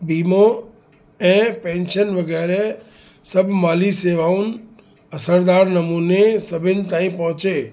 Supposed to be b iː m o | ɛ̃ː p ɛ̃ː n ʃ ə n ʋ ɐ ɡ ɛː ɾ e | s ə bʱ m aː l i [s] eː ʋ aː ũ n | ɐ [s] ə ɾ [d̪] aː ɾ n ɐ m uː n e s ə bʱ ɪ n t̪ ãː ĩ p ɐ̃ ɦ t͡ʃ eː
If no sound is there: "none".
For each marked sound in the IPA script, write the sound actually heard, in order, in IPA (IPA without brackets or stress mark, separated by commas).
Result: s, s, d̪